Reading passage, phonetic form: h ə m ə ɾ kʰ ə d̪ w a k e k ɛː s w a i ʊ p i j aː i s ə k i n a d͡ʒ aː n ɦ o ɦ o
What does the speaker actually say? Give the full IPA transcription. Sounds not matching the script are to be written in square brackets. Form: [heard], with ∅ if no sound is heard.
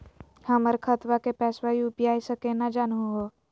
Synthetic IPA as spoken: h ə m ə ɾ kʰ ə [t̪] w a k e [p] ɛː s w a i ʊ p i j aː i s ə k [e] n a d͡ʒ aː n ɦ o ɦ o